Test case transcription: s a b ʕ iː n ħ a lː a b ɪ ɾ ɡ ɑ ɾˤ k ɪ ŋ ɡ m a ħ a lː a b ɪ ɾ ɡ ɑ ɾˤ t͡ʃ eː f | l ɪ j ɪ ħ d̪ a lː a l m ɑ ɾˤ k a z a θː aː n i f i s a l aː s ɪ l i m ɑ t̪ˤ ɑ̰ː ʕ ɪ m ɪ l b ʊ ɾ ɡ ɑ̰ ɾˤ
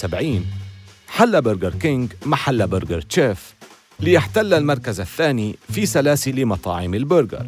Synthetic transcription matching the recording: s a b ʕ iː n ħ a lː a b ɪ ɾ ɡ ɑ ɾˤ k ɪ ŋ ɡ m a ħ a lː a b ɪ ɾ ɡ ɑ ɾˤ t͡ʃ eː f | l ɪ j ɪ ħ t̪ a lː a l m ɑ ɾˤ k a z a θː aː n i f i s a l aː s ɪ l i m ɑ t̪ˤ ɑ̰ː ʕ ɪ m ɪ l b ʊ ɾ ɡ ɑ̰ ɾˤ